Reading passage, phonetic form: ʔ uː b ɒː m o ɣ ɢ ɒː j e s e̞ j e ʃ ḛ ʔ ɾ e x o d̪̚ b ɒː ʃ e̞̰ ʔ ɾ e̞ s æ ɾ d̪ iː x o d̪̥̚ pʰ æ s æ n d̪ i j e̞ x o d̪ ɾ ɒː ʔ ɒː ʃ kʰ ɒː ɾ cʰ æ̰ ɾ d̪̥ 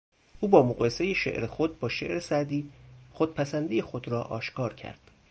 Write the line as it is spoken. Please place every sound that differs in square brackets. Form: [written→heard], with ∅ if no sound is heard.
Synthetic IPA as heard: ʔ uː b ɒː m o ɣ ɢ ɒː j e s e̞ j e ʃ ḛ ʔ ɾ e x o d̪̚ b ɒː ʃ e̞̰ ʔ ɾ e̞ s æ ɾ d̪ iː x o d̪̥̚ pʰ æ s æ n d̪ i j e̞ x o d̪ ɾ ɒː ʔ ɒː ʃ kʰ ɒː ɾ cʰ æ̰ ɾ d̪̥